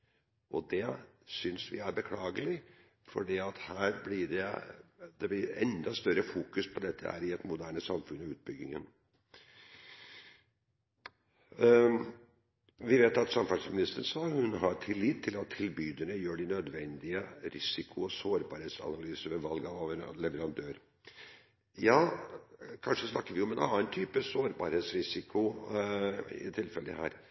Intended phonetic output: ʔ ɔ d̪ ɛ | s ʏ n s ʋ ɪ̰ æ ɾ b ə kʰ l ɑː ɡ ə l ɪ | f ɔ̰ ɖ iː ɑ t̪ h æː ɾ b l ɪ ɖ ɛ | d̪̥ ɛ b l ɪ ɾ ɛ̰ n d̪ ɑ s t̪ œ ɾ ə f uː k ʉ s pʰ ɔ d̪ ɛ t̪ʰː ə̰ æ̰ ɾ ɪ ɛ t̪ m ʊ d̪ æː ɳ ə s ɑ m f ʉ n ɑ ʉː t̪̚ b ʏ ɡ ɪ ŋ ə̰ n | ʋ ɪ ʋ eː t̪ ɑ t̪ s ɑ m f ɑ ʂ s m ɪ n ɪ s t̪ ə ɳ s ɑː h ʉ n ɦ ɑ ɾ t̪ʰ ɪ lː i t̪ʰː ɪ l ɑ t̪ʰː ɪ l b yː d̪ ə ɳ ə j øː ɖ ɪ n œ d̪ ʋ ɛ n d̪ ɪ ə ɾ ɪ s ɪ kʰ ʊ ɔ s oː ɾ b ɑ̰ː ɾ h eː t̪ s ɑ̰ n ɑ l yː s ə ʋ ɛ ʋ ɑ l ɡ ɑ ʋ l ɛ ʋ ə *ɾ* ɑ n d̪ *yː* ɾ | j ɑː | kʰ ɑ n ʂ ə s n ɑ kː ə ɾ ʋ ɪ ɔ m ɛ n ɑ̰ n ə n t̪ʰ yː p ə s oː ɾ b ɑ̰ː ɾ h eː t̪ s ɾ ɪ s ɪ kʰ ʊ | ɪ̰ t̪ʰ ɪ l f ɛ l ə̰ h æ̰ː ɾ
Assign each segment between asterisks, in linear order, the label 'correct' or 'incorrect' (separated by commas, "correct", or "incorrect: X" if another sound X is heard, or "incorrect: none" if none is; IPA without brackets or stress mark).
correct, incorrect: øː